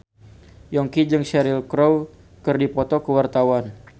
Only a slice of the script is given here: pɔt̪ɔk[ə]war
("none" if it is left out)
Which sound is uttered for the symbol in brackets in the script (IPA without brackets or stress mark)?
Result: ə